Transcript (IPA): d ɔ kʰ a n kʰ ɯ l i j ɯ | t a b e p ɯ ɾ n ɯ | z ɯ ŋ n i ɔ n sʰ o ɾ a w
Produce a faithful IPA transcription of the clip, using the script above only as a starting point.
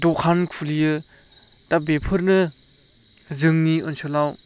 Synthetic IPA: d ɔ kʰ a n kʰ u l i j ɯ | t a b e pʰ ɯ ɾ n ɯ | z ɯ ŋ n i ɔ n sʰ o l a w